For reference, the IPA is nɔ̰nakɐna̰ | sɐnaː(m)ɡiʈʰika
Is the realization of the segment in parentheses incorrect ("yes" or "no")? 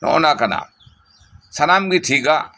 no